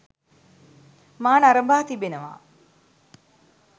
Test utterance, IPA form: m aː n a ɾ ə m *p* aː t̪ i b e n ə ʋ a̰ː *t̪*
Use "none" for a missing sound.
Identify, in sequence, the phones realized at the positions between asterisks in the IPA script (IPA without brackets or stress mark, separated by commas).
b, none